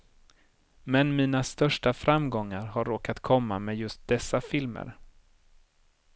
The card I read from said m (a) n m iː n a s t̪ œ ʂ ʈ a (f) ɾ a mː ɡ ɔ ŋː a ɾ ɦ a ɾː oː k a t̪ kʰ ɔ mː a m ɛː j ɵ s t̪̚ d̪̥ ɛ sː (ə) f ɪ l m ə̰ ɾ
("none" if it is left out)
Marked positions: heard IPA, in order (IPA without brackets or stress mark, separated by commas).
ɛ, f, a